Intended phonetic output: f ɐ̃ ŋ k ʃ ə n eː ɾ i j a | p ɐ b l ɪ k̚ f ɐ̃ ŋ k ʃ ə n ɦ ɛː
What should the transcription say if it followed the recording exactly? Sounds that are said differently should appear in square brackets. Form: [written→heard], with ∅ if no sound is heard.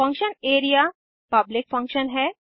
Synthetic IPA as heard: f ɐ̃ ŋ k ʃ ə n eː ɾ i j a | p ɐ b l ɪ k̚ f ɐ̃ ŋ k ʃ ə n ɦ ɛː